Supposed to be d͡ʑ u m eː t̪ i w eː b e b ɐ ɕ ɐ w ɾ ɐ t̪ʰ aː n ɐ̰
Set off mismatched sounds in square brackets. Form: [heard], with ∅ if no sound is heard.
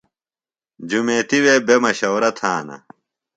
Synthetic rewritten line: d͡ʑ u m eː t̪ i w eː b e [m] ɐ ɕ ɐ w ɾ ɐ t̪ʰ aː n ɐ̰